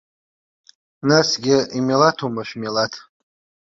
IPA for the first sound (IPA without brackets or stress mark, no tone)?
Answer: n